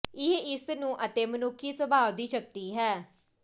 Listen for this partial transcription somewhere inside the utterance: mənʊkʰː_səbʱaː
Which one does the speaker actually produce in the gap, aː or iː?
iː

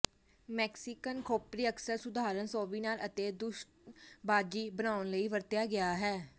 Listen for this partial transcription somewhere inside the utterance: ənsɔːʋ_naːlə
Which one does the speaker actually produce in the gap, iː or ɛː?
iː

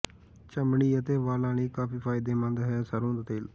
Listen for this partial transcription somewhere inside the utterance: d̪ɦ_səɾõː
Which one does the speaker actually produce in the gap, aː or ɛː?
ɛː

